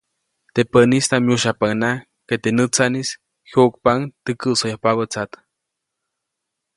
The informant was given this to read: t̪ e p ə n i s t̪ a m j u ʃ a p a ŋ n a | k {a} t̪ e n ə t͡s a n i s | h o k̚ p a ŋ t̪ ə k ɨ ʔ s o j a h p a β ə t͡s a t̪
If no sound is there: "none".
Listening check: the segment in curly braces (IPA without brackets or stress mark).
e